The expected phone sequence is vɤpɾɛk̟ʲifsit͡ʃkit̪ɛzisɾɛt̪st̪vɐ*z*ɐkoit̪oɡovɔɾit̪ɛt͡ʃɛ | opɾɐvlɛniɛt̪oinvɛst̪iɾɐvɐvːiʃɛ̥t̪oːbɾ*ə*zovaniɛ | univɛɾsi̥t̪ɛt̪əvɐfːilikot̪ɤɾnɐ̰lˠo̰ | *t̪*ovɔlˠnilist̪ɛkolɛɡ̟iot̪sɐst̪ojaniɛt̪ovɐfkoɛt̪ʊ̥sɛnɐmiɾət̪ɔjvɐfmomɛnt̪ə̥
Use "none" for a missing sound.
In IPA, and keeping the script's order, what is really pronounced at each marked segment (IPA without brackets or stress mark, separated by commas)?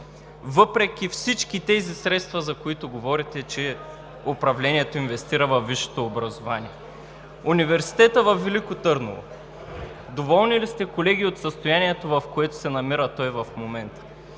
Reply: z, ɐ, d̪